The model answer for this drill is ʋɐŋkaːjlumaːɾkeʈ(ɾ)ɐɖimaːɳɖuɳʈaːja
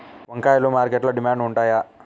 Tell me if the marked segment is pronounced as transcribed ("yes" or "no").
no